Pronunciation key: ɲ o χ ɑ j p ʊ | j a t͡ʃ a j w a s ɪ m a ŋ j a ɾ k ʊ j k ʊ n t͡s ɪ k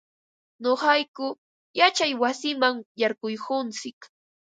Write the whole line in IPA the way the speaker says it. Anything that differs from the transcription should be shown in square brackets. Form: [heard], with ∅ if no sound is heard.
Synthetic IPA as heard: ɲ o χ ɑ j [k] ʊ | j a t͡ʃ a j w a s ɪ m a ŋ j a ɾ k ʊ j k ʊ n t͡s ɪ k

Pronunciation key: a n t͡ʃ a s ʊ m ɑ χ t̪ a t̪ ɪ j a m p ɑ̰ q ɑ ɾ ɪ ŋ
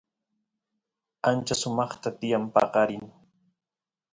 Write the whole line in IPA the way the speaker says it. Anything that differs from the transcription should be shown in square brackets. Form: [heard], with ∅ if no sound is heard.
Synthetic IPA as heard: a n t͡ʃ a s ʊ m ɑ χ t̪ a t̪ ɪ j a m p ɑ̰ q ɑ ɾ ɪ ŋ

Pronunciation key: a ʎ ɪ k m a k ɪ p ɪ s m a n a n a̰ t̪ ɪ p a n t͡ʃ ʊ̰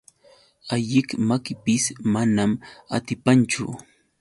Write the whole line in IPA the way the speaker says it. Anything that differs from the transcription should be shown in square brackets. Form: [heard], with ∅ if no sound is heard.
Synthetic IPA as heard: a ʎ ɪ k m a k ɪ p ɪ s m a n a [m] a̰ t̪ ɪ p a n t͡ʃ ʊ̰

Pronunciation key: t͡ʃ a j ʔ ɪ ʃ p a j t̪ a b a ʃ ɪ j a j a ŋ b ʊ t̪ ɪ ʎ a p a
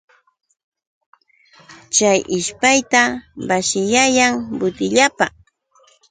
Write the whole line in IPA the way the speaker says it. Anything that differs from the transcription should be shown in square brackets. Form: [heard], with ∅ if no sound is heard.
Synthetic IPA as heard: t͡ʃ a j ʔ ɪ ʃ p a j t̪ a b a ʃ ɪ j a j a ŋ b ʊ t̪ ɪ ʎ a p a

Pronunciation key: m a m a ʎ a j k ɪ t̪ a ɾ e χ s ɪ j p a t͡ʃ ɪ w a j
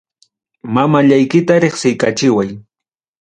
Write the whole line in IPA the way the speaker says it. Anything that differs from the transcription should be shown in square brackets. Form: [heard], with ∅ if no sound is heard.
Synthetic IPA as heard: m a m a ʎ a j k ɪ t̪ a ɾ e χ s ɪ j [k] a t͡ʃ ɪ w a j

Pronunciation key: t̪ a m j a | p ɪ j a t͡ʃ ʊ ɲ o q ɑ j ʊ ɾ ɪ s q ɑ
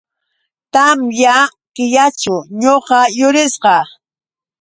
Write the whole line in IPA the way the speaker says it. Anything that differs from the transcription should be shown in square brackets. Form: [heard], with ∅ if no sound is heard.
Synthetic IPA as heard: t̪ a m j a | [k] ɪ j a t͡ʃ ʊ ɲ o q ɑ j ʊ ɾ ɪ s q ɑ

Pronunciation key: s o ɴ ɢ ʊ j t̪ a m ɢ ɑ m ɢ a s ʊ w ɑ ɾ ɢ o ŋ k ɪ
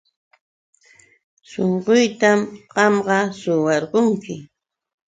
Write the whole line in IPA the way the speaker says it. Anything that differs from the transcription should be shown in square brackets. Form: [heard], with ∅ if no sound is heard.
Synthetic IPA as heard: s o ɴ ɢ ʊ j t̪ a m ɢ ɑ m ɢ [ɑ] s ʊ w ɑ ɾ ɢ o ŋ k ɪ

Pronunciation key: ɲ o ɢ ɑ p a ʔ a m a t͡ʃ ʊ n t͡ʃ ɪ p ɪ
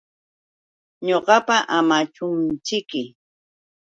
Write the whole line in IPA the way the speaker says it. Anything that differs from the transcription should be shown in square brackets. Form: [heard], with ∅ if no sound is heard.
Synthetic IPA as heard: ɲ o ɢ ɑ p a ʔ a m a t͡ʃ ʊ n t͡ʃ ɪ [k] ɪ

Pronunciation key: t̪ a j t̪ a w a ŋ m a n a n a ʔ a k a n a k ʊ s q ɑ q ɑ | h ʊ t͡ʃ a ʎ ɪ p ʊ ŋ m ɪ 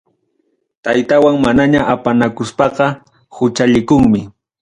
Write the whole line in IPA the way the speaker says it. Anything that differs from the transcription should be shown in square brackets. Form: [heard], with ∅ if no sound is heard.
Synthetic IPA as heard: t̪ a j t̪ a w a ŋ m a n a [ɲ] a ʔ a [p] a n a k ʊ s [p] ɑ q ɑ | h ʊ t͡ʃ a ʎ ɪ [k] ʊ ŋ m ɪ

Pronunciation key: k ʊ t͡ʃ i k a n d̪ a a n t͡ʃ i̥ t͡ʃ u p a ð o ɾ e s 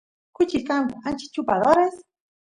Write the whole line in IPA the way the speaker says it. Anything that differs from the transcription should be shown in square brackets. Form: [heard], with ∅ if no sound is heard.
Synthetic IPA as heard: k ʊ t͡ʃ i k a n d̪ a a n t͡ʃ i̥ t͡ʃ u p a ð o ɾ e s

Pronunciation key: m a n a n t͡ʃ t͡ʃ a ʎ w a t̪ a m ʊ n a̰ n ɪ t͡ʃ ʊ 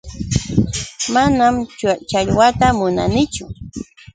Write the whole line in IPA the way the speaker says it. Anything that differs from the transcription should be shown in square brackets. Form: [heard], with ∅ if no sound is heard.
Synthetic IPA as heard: m a n a [m] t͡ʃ t͡ʃ a ʎ w a t̪ a m ʊ n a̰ n ɪ t͡ʃ ʊ

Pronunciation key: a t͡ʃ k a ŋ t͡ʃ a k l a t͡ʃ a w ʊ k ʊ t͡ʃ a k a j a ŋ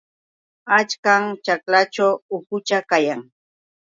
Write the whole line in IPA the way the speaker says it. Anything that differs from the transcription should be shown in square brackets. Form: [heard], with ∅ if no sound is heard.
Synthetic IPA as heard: a t͡ʃ k a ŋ t͡ʃ a k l a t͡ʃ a w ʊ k ʊ t͡ʃ a k a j a ŋ

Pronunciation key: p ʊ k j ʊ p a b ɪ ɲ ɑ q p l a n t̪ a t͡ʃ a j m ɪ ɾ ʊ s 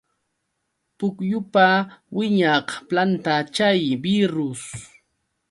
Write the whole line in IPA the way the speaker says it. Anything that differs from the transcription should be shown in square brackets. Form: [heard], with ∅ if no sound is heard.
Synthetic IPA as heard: p ʊ k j ʊ p a [w] ɪ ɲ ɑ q p l a n t̪ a t͡ʃ a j [b] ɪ ɾ ʊ s

